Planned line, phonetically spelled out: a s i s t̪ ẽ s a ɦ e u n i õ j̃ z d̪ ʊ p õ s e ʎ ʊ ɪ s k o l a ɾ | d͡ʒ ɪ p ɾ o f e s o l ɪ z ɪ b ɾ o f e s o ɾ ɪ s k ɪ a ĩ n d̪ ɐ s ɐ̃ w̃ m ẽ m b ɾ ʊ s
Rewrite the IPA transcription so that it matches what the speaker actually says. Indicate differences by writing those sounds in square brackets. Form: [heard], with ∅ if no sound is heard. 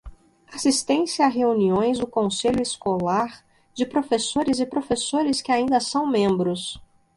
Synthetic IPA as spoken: a s i s t̪ ẽ s a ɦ e u n i õ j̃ z d̪ ʊ [k] õ s e ʎ ʊ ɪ s k o l a ɾ | d͡ʒ ɪ p ɾ o f e s o [ɾ] ɪ z ɪ [p] ɾ o f e s o ɾ ɪ s k ɪ a ĩ n d̪ ɐ s ɐ̃ w̃ m ẽ m b ɾ ʊ s